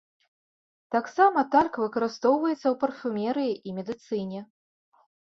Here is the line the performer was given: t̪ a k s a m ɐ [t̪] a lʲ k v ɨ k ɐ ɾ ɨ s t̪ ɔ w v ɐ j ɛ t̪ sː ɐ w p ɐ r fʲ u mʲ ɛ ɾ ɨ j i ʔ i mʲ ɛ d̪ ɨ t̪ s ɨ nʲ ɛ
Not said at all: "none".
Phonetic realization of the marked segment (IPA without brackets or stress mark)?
t̪